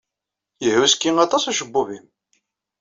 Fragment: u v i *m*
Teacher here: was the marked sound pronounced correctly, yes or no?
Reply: yes